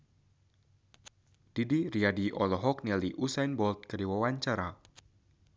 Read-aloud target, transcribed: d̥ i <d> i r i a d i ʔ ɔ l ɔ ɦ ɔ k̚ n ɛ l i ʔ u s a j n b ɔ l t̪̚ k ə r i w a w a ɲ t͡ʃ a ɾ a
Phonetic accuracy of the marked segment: correct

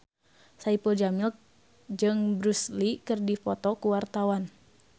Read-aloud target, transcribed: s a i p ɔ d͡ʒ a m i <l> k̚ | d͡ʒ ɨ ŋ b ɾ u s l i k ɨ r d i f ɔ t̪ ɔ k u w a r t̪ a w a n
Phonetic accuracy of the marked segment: correct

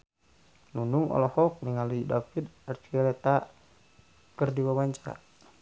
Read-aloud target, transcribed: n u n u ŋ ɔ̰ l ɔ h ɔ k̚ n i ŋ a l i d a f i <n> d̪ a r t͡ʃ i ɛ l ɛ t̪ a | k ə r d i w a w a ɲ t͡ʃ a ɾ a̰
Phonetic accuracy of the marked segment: incorrect: none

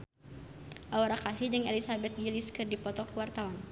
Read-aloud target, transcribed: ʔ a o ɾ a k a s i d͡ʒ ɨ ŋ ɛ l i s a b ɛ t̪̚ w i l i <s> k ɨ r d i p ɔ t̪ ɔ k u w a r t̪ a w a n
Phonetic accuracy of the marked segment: correct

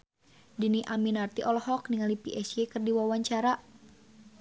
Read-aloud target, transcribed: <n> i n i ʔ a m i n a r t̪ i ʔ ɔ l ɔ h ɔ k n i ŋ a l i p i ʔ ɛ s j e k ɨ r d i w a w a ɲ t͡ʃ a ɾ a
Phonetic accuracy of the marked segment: incorrect: d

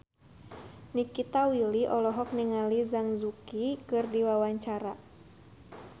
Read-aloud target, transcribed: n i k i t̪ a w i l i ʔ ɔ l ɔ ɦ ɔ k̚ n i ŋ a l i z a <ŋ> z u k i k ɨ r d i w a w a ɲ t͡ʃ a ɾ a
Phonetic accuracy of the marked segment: correct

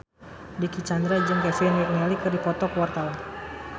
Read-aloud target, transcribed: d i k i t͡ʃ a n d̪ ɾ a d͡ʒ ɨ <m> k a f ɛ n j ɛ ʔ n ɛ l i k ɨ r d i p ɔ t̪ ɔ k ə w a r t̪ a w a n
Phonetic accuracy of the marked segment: incorrect: ŋ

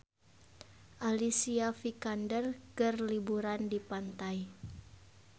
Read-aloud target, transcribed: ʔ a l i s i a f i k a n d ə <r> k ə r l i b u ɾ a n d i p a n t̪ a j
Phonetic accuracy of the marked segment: correct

